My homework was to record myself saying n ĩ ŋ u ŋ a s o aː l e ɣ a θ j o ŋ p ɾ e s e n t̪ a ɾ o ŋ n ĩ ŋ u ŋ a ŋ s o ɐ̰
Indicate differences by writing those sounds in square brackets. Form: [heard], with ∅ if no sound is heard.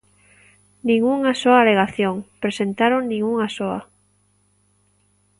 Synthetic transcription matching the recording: n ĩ ŋ u ŋ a s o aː l e ɣ a θ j o ŋ p ɾ e s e n t̪ a ɾ o ŋ n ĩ ŋ u ŋ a [∅] s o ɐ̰